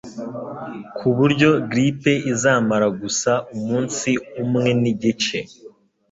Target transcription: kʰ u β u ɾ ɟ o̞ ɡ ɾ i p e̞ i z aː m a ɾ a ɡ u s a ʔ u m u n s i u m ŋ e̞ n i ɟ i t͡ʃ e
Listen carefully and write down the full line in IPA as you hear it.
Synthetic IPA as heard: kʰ u β u ɾ ɟ o̞ ɡ ɾ i p e̞ i z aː m a ɾ a ɡ u s a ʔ u m uː n s i u m ŋ e̞ n i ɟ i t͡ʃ e